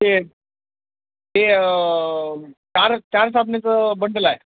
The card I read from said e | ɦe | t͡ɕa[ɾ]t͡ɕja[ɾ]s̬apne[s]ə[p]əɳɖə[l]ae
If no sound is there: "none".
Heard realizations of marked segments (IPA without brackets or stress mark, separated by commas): ɾ, ɾ, t͡s, b, l